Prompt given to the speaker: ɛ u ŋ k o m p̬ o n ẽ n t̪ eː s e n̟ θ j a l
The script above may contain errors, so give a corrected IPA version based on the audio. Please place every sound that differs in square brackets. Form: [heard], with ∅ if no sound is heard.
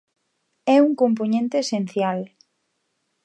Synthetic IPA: ɛ u ŋ k o m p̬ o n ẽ n t̪ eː s e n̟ θ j a l